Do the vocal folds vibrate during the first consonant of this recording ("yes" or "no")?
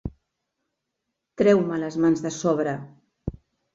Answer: no